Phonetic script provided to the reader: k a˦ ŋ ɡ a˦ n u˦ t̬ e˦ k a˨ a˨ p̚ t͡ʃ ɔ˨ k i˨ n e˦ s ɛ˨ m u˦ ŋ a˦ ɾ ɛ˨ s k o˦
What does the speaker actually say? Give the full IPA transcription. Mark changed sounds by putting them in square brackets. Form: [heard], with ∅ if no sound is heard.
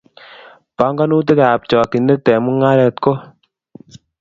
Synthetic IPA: [p] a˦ ŋ ɡ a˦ n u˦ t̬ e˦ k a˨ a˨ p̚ t͡ʃ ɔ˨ k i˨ n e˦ [t] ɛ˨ m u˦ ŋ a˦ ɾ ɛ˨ [t] k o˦